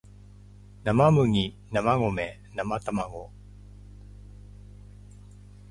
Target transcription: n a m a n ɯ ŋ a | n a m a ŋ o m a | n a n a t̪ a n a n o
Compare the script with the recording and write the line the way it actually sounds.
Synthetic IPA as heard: n a m a m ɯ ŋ i | n a m a ŋ o m e | n a m a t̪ a m a ŋ o